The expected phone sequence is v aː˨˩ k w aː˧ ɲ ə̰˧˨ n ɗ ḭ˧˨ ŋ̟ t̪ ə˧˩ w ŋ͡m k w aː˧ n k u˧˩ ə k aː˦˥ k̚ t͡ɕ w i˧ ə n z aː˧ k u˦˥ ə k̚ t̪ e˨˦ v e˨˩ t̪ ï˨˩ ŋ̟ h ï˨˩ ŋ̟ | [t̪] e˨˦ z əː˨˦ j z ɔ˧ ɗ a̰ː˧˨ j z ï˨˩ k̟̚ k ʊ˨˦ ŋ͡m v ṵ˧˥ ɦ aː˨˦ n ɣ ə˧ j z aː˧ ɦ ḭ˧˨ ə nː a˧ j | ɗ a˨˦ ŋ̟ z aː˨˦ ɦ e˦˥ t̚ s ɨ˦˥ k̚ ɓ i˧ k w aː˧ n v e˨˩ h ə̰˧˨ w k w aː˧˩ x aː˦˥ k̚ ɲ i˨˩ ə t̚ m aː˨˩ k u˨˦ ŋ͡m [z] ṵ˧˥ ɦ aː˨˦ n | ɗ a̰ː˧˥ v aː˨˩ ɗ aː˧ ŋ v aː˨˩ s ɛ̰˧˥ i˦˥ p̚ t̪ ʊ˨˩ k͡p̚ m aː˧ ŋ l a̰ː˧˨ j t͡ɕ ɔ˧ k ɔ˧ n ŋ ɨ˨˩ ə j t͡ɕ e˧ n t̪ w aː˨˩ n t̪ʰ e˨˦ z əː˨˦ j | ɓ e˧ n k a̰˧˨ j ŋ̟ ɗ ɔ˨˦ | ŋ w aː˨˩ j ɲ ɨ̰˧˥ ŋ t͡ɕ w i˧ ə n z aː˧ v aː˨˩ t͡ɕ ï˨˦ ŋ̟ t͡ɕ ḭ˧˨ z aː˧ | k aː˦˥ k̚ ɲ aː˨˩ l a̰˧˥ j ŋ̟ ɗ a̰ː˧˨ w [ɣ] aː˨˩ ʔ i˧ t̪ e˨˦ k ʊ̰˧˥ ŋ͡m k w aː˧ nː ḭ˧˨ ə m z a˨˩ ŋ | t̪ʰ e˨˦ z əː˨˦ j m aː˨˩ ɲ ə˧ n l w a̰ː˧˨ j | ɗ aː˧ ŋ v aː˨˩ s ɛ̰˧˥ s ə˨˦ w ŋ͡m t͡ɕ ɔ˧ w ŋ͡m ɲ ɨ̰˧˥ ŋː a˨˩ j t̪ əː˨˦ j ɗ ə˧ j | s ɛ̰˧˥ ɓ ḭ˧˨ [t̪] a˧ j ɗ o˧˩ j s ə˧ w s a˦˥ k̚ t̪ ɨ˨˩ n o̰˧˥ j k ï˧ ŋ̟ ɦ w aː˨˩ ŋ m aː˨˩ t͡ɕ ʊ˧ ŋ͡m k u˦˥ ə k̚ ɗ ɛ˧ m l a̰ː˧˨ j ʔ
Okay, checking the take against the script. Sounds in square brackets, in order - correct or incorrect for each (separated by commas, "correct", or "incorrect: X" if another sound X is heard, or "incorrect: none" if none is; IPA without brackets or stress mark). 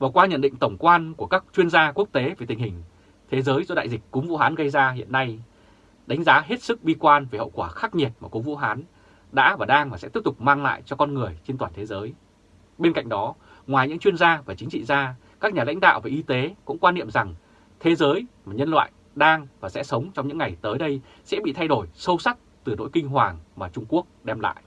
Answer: incorrect: t̪ʰ, incorrect: v, incorrect: v, incorrect: t̪ʰ